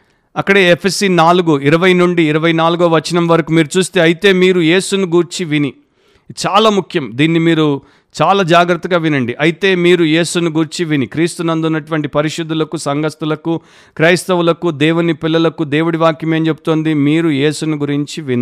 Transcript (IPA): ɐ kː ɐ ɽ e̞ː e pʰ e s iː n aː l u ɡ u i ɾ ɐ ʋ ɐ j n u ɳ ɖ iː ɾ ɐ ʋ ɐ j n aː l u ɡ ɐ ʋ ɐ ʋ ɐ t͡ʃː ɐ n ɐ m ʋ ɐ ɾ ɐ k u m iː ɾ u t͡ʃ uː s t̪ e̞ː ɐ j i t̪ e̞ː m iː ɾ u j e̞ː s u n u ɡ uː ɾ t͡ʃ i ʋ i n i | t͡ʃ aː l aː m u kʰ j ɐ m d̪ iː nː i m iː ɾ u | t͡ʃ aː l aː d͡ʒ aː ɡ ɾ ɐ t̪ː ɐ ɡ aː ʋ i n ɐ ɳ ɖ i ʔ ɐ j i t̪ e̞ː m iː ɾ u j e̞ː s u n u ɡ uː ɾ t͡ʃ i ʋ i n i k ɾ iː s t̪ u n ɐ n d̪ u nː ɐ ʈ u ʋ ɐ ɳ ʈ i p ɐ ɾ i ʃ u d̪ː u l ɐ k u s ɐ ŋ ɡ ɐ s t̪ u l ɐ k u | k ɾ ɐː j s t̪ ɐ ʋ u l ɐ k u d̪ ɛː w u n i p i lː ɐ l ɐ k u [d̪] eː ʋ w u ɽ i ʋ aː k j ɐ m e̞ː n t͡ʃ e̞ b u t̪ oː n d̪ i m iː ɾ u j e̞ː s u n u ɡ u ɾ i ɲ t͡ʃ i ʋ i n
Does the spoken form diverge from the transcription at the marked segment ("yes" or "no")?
no